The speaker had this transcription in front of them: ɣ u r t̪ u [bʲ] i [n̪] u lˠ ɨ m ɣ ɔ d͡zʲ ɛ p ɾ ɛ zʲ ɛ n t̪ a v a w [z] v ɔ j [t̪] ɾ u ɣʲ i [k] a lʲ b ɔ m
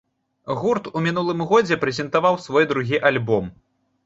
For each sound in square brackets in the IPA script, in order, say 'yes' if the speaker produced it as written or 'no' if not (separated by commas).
no, yes, no, no, no